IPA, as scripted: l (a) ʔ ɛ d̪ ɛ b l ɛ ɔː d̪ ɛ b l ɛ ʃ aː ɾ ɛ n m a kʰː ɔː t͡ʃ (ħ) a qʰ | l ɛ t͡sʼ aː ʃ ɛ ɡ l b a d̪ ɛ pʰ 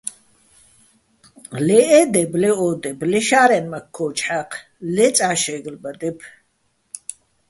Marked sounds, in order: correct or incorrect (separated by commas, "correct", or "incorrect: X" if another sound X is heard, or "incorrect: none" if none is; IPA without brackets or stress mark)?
incorrect: ɛ, correct